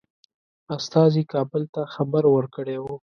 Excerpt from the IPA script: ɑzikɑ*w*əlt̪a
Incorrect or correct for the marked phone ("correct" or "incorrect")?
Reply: incorrect